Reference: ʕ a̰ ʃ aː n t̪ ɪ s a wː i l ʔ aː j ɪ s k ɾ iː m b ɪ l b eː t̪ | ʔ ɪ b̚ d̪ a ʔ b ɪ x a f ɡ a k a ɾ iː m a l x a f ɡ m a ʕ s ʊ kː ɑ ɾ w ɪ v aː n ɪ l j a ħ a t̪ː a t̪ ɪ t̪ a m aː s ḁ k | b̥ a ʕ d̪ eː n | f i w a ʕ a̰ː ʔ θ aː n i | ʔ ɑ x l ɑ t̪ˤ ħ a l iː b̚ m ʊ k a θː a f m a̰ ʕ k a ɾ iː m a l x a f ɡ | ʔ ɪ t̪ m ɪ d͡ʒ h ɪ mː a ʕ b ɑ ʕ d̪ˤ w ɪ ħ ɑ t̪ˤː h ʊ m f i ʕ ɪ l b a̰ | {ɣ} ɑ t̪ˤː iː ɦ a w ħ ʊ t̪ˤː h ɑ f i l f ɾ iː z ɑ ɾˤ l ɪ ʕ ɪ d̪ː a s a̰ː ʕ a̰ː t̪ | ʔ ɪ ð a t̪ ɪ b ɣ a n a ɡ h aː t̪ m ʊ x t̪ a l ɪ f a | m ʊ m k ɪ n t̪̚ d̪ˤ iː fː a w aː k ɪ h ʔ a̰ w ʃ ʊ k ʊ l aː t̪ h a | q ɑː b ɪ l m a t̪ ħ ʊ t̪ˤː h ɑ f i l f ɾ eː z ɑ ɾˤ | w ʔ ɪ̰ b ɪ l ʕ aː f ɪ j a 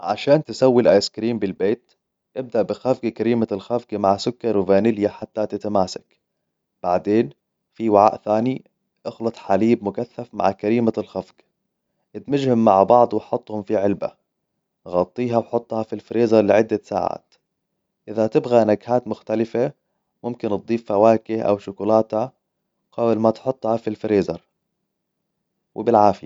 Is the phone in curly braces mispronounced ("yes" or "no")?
no